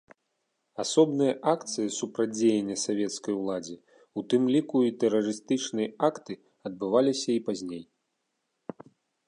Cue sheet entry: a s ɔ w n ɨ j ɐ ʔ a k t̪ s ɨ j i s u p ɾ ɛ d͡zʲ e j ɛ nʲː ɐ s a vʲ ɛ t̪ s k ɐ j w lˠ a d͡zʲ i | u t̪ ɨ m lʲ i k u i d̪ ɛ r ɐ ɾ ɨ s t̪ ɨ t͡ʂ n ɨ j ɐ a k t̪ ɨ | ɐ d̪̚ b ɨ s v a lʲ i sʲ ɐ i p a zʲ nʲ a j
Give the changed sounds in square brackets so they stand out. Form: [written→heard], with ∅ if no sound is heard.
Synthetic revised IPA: a s ɔ [w→b] n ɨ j ɐ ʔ a k t̪ s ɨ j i s u p ɾ [ɛ→a] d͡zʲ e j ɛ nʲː ɐ s a vʲ ɛ t̪ s k ɐ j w lˠ a d͡zʲ i | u t̪ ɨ m lʲ i k u i [d̪→t̪] ɛ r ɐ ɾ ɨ s t̪ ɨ t͡ʂ n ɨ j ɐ a k t̪ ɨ | ɐ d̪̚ b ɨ [s→∅] v a lʲ i sʲ ɐ i p a zʲ nʲ [a→e] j

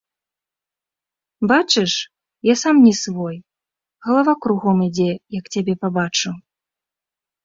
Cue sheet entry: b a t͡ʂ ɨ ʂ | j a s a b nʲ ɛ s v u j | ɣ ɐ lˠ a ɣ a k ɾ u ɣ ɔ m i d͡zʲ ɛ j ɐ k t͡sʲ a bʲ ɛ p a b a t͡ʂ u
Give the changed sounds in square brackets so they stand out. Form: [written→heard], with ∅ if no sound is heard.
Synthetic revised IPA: b a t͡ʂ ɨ ʂ | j a s a [b→m] nʲ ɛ s v [u→ɔ] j | ɣ ɐ lˠ a [ɣ→v] a k ɾ u ɣ ɔ m i d͡zʲ ɛ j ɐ k t͡sʲ a bʲ ɛ p a b a t͡ʂ u

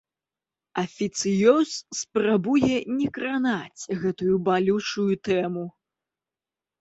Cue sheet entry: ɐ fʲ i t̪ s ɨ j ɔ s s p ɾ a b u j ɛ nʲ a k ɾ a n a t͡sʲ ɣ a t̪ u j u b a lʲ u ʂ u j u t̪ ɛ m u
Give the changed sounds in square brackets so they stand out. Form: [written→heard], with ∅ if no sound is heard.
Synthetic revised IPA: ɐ fʲ i t̪ s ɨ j ɔ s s p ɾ a b u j ɛ nʲ [a→ɛ] k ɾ a n a t͡sʲ ɣ [a→ɛ] t̪ u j u b a lʲ u [ʂ→t͡ʂ] u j u t̪ ɛ m u

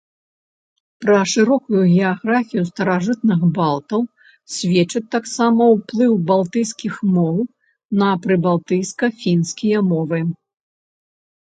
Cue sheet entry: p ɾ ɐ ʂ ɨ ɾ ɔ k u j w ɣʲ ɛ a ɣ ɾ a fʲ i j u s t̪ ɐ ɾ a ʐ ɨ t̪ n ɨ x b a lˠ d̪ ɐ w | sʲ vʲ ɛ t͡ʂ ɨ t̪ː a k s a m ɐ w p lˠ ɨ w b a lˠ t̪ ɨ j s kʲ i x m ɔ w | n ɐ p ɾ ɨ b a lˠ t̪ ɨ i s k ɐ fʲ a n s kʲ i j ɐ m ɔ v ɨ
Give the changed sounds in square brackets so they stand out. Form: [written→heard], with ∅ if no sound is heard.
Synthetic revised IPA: p ɾ ɐ ʂ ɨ ɾ ɔ k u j [w→u] ɣʲ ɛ a ɣ ɾ a fʲ i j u s t̪ ɐ ɾ a ʐ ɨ t̪ n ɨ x b a lˠ [d̪→t̪] ɐ w | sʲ vʲ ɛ t͡ʂ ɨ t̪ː a k s a m ɐ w p lˠ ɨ w b a lˠ t̪ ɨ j s kʲ i x m ɔ w | n ɐ p ɾ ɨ b a lˠ t̪ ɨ [i→j] s k ɐ fʲ [a→i] n s kʲ i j ɐ m ɔ v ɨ

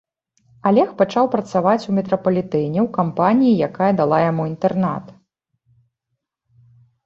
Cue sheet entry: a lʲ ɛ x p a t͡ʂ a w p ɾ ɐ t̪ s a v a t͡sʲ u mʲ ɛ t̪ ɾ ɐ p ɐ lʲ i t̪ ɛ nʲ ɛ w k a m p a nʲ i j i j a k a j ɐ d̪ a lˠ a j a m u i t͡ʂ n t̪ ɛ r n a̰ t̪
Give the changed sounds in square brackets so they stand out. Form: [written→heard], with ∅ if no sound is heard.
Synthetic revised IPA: a lʲ ɛ x p a t͡ʂ a w p ɾ ɐ t̪ s a v a t͡sʲ u mʲ ɛ t̪ ɾ ɐ p ɐ lʲ i t̪ ɛ nʲ ɛ w k a m p a nʲ i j i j a k a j ɐ d̪ a lˠ a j a m u i [t͡ʂ→∅] n t̪ ɛ r n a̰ t̪

